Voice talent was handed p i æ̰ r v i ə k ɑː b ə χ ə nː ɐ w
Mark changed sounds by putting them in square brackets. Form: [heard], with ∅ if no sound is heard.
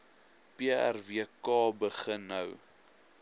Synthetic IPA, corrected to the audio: p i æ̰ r v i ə k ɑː b ə χ ə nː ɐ w